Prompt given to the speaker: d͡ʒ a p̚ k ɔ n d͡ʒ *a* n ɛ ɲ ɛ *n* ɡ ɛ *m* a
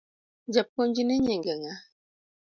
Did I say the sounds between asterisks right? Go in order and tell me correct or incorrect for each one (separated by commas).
incorrect, incorrect, incorrect